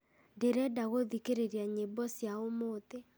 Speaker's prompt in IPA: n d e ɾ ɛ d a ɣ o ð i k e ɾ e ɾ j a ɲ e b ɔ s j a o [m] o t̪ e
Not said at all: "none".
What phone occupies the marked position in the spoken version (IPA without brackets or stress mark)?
m